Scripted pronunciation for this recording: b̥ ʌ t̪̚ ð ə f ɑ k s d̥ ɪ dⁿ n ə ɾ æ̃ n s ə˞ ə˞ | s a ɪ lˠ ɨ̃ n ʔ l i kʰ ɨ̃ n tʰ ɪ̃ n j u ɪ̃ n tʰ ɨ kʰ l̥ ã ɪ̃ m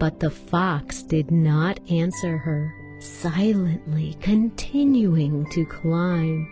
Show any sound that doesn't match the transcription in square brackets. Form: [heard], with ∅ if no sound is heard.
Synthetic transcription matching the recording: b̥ ʌ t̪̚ ð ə f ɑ k s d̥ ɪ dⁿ n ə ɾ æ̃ n s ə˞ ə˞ | s a ɪ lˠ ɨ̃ n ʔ l i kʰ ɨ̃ n tʰ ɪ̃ n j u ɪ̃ [ŋ] tʰ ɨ kʰ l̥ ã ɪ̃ m